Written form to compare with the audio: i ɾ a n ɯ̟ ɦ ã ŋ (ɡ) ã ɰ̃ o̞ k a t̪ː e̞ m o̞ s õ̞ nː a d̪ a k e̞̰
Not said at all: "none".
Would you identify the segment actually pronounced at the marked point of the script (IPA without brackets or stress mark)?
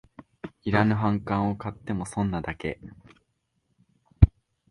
k